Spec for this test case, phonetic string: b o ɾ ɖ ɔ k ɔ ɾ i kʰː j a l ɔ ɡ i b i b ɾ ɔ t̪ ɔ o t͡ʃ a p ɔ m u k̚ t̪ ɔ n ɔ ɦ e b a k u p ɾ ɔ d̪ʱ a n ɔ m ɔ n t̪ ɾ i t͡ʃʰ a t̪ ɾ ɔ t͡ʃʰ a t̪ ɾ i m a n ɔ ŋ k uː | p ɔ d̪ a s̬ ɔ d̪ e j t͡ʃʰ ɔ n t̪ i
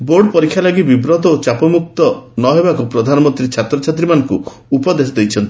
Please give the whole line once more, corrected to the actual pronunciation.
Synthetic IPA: b o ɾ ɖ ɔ p ɔ ɾ i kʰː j a l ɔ ɡ i b i b ɾ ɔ t̪ ɔ o t͡ʃ a p ɔ m u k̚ t̪ ɔ n ɔ ɦ e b a k u p ɾ ɔ d̪ʱ a n ɔ m ɔ n t̪ ɾ i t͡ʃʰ a t̪ ɾ ɔ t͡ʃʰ a t̪ ɾ i m a n ɔ ŋ k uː | p ɔ d̪ e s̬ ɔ d̪ e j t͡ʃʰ ɔ n t̪ i